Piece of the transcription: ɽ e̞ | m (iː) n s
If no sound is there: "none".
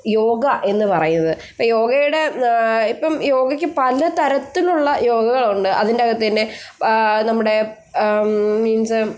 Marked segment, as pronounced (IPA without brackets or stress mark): iː